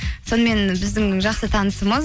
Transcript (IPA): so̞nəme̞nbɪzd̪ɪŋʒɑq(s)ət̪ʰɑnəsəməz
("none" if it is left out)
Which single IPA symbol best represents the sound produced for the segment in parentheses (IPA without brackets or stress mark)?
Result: s